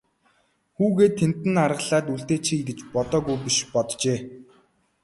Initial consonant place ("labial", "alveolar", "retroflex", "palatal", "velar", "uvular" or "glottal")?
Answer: velar